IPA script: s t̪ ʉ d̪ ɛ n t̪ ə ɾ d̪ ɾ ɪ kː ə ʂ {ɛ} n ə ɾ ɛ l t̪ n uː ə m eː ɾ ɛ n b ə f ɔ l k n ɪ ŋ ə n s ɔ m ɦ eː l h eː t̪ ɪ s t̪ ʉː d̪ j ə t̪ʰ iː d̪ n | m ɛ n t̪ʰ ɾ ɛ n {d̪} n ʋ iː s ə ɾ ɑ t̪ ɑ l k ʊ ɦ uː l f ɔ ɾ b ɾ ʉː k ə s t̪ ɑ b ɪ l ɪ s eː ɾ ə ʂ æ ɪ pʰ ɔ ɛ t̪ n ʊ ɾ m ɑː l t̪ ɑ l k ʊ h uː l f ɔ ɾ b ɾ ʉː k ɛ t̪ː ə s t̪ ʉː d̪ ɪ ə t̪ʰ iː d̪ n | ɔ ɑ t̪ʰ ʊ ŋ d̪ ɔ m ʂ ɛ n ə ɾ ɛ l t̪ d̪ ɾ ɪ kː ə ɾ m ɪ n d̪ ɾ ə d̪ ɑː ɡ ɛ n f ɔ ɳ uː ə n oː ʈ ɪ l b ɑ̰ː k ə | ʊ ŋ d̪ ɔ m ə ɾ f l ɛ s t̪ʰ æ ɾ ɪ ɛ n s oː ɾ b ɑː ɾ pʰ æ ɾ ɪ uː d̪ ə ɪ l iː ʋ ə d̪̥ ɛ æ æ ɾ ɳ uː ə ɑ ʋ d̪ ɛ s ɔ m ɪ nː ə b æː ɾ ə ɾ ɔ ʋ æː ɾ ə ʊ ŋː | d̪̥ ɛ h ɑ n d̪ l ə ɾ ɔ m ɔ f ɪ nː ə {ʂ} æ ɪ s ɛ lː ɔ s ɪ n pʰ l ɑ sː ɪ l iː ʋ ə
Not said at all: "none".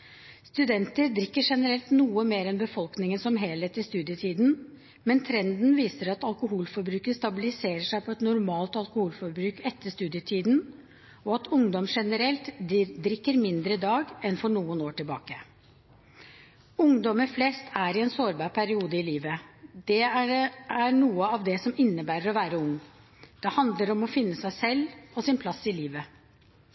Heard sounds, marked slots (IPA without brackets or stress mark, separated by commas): ɛ, d̪, s